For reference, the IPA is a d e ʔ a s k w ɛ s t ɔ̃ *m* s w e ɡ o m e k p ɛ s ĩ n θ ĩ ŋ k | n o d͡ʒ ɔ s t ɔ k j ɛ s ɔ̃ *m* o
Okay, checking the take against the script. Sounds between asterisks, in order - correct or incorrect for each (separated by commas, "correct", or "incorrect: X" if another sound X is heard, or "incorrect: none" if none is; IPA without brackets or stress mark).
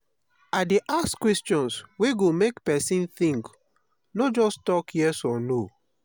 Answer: incorrect: n, incorrect: n